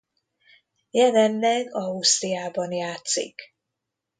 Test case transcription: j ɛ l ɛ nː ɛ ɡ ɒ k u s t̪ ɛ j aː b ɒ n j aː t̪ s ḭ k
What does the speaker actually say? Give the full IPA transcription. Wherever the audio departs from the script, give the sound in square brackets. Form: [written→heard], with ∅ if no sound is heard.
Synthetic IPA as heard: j ɛ l ɛ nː ɛ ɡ ɒ [k→∅] u s t̪ [ɛ→i] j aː b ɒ n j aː t̪ s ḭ k